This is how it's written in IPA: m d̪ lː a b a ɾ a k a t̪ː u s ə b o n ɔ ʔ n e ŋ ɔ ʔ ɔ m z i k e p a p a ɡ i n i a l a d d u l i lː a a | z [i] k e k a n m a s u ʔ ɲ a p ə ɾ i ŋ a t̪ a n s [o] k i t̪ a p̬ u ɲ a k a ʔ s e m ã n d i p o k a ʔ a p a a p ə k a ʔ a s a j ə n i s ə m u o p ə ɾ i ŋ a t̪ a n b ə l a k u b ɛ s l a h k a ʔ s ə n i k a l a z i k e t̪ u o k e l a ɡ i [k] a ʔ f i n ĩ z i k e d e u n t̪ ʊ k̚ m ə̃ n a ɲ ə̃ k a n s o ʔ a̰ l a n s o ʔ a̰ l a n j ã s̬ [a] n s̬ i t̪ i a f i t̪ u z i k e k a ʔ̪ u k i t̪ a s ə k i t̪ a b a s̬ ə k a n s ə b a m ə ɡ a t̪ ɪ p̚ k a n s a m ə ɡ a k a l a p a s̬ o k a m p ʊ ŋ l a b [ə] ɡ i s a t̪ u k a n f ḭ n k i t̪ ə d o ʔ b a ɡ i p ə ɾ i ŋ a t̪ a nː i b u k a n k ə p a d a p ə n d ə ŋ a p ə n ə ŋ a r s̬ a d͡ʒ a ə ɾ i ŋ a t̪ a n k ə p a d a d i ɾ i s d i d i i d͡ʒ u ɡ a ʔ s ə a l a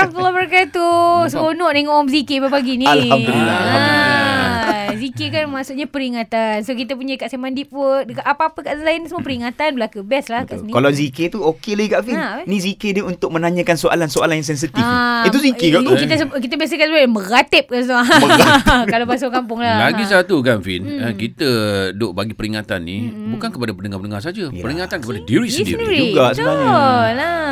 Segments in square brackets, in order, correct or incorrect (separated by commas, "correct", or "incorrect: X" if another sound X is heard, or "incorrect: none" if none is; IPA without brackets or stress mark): correct, correct, correct, incorrect: ɛ, incorrect: a